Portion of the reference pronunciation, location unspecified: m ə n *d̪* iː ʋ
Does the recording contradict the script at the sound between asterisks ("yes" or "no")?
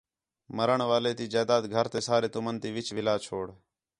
yes